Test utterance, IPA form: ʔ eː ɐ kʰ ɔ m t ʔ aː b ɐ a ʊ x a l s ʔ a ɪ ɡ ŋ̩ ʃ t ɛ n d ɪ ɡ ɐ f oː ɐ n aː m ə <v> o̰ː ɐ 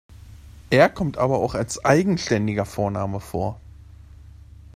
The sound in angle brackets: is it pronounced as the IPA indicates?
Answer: no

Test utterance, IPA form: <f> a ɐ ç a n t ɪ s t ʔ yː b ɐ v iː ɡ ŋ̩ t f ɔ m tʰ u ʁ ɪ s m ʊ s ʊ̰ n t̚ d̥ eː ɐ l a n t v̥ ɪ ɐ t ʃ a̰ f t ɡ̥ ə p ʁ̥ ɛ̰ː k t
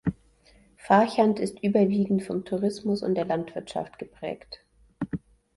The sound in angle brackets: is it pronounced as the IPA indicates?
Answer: yes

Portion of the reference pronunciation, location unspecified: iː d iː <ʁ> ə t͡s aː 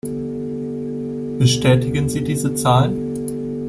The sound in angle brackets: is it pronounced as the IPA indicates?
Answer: no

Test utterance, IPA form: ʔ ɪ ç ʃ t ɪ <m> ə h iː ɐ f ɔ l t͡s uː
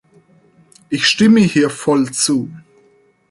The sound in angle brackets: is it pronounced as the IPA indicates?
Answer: yes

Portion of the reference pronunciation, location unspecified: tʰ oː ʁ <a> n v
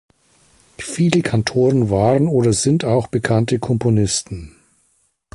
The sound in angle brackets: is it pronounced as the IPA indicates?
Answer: no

